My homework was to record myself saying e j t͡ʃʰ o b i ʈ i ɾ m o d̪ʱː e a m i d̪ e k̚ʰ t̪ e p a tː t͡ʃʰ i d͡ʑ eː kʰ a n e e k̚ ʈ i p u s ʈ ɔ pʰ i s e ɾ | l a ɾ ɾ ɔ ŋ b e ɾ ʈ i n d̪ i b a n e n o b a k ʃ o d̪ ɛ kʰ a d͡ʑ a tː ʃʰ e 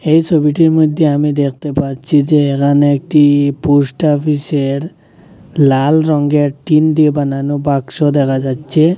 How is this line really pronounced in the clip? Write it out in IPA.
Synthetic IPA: e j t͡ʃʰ o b i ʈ i ɾ m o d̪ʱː e a m i d̪ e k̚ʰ t̪ e p a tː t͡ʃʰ i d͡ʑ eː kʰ a n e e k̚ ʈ i p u s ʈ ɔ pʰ i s e ɾ | l a l ɾ ɔ ŋ ɡ e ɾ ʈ i n d̪ i b a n a n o b a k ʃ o d̪ ɛ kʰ a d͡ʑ a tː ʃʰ e

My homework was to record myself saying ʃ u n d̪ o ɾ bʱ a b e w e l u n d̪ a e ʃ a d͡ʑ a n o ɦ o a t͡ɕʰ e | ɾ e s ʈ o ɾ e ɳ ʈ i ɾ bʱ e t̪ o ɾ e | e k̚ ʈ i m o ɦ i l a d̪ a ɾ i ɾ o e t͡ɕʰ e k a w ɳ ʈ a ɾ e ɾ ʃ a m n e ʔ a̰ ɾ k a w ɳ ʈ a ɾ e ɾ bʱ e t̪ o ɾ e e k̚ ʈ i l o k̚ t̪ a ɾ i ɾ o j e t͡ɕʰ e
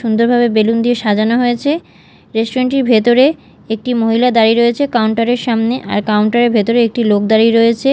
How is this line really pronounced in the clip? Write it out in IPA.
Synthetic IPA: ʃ u n d̪ o ɾ bʱ a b e b e l u n d̪ i e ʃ a d͡ʑ a n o ɦ o e t͡ɕʰ e | ɾ e s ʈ o ɾ e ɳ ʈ i ɾ bʱ e t̪ o ɾ e | e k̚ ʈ i m o ɦ i l a d̪ a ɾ i ɾ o e t͡ɕʰ e k a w ɳ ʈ a ɾ e ɾ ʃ a m n e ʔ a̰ ɾ k a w ɳ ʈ a ɾ e ɾ bʱ e t̪ o ɾ e e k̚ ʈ i l o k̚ d̪ a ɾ i ɾ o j e t͡ɕʰ e

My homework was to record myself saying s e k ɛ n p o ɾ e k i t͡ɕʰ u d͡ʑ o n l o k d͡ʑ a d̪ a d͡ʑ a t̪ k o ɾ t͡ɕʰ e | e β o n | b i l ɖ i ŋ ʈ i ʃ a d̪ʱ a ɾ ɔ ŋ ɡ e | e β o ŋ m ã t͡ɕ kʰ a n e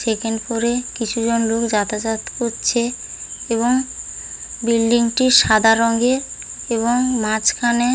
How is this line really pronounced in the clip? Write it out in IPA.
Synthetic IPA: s e k e n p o ɾ e k i t͡ɕʰ u d͡ʑ o n l o k d͡ʑ a t̪ a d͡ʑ a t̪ k o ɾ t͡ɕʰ e | e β o ŋ | b i l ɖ i ŋ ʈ i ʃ a d̪ʱ a ɾ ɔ ŋ ɡ e | e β o ŋ m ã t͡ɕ kʰ a n e

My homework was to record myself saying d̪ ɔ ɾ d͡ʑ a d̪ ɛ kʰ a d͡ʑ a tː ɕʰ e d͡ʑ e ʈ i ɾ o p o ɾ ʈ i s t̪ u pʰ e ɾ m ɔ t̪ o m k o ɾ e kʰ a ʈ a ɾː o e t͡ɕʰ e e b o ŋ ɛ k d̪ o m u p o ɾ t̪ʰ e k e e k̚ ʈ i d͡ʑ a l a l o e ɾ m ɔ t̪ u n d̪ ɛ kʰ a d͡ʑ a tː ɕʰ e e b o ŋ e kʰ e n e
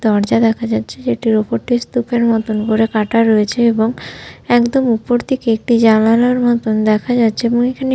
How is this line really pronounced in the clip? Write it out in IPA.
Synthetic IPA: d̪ ɔ ɾ d͡ʑ a d̪ ɛ kʰ a d͡ʑ a tː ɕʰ e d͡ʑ e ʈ i ɾ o p o ɾ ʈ i s t̪ u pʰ e ɾ m ɔ t̪ o n k o ɾ e k a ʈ a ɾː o e t͡ɕʰ e e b o ŋ ɛ k d̪ o m u p o ɾ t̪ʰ e k e e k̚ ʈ i d͡ʑ a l a l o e ɾ m ɔ t̪ o n d̪ ɛ kʰ a d͡ʑ a tː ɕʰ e e b o ŋ e kʰ a n e

